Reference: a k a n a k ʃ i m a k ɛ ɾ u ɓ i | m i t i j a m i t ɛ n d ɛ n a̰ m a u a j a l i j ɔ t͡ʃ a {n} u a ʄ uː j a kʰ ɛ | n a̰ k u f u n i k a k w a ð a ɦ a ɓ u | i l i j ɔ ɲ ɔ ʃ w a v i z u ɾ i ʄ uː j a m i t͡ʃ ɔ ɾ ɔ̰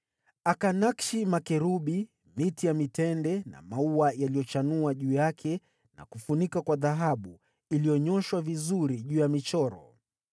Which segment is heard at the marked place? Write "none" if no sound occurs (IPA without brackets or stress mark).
n